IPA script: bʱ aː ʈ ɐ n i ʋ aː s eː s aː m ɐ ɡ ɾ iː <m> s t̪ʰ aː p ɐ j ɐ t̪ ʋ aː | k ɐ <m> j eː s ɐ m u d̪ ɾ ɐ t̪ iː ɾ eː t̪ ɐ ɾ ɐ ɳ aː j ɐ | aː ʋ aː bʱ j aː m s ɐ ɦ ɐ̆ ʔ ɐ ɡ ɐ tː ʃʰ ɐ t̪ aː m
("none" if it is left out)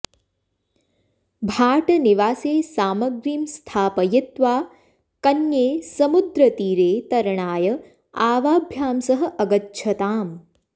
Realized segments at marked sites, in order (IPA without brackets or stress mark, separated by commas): m, n